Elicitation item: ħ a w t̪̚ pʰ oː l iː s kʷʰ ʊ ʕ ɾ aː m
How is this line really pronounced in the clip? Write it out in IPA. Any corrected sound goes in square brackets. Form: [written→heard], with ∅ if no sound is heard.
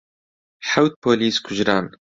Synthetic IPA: ħ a w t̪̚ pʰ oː l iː s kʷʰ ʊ [ʕ→ʒ] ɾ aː [m→n]